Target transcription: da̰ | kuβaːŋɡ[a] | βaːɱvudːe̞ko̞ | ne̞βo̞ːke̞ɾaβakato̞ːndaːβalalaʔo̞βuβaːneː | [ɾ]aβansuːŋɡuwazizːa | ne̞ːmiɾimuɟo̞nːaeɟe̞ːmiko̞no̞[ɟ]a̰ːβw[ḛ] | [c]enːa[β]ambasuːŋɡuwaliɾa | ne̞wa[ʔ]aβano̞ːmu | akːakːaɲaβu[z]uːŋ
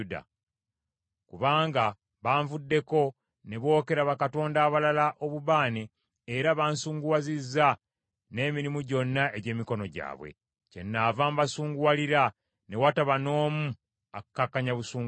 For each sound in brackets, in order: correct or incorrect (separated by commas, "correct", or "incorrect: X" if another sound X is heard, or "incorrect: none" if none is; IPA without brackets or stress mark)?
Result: correct, correct, correct, correct, correct, incorrect: v, incorrect: t, incorrect: s